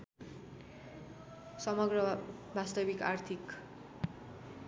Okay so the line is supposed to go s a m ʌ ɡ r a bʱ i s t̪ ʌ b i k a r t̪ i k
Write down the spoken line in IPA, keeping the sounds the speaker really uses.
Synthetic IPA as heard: s ʌ m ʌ ɡ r ʌ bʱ a s t̪ ʌ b i k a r t̪ʰ i k